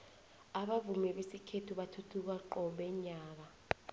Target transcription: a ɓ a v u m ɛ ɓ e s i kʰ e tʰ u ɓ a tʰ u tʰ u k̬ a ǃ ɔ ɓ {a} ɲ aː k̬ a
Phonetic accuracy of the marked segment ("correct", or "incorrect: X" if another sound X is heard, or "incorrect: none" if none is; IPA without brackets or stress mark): incorrect: ɛ